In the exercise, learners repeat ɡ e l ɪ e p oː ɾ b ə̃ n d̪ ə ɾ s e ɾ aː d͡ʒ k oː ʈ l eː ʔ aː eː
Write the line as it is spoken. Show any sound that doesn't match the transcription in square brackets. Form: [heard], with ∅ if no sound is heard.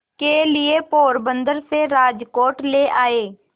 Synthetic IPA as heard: [k] e l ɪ e p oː ɾ b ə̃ n d̪ ə ɾ s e ɾ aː d͡ʒ k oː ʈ l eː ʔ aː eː